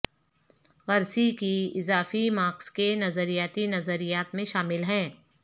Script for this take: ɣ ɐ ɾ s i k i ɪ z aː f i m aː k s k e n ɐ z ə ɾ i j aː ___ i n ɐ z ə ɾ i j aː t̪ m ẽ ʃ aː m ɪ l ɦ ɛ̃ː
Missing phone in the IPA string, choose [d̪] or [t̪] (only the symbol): t̪